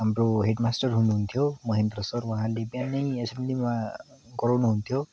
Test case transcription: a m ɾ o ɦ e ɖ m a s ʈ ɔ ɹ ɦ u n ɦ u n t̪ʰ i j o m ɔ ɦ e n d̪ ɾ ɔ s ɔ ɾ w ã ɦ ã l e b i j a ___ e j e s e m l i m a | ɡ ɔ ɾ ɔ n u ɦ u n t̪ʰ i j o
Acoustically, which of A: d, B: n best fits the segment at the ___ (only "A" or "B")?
B